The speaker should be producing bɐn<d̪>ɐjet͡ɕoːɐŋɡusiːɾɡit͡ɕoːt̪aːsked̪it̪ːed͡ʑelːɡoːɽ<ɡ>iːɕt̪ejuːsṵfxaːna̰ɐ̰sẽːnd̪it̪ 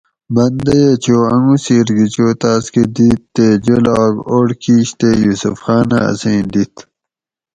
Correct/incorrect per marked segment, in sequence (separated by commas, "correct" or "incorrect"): correct, incorrect